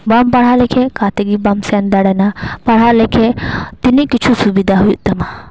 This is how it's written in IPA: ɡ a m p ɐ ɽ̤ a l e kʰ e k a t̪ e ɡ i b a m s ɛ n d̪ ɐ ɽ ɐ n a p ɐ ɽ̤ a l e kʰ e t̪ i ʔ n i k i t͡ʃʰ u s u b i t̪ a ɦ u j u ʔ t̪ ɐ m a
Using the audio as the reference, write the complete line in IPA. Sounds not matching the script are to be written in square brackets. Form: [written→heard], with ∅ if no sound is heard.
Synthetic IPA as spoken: [ɡ→b] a m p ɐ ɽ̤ a l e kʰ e k a t̪ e ɡ i b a m s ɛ n d̪ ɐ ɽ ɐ n a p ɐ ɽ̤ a l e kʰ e t̪ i [ʔ→∅] n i k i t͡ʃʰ u s u b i [t̪→d̪] a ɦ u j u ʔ t̪ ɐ m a